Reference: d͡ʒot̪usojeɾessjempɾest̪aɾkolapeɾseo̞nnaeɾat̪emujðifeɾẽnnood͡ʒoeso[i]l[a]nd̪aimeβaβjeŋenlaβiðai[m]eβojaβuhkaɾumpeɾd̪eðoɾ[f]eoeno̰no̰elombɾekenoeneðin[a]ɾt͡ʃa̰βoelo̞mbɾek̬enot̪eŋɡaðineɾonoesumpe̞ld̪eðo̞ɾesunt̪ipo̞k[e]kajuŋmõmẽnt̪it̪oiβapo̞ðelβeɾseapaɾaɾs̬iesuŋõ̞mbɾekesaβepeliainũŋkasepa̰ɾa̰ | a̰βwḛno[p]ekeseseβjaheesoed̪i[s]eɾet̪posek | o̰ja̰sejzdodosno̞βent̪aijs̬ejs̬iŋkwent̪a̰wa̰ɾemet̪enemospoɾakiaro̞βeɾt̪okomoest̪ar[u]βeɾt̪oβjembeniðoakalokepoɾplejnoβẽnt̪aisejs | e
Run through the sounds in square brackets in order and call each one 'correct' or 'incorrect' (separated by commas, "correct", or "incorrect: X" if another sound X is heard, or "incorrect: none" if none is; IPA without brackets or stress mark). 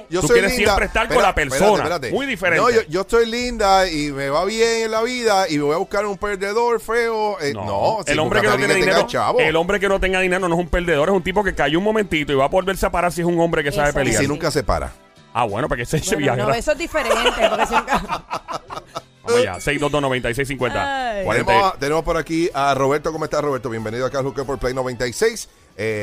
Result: incorrect: j, incorrect: i, correct, correct, incorrect: e, correct, correct, incorrect: f, incorrect: o